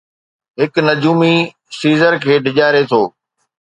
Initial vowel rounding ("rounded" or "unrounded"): unrounded